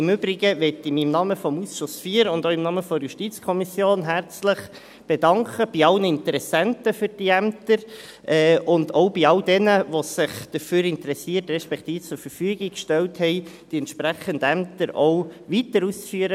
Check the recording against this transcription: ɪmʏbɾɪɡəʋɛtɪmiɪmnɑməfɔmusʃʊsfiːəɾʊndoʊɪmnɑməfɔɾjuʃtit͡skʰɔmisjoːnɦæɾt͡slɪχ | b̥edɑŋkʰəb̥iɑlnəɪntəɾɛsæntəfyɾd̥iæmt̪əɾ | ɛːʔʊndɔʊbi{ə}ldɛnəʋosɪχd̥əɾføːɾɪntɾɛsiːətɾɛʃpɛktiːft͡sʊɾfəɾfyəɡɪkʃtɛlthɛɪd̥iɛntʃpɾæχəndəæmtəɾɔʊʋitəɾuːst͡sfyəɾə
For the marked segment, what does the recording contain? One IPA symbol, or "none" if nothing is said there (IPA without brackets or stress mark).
ɑ